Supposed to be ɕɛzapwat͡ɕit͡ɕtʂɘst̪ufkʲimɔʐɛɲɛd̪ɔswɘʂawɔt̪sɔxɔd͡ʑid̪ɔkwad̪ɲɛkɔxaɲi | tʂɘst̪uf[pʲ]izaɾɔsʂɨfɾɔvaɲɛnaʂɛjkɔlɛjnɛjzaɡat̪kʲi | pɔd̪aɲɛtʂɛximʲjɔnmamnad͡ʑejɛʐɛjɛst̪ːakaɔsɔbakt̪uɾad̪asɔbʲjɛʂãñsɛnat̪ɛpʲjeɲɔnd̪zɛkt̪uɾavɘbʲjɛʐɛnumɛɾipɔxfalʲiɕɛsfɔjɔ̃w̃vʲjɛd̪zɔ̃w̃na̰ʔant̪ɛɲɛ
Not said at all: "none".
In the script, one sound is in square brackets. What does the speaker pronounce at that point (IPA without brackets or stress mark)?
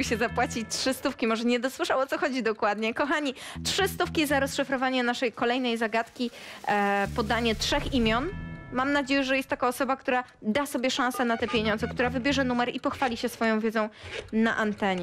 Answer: kʲ